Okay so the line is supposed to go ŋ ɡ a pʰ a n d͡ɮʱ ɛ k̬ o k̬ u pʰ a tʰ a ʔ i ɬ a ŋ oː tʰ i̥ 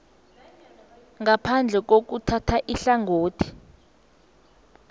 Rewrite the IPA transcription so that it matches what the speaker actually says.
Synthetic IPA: ŋ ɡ a pʰ a n d͡ɮʱ ɛ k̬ o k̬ u tʰ a tʰ a ʔ i ɬ a ŋ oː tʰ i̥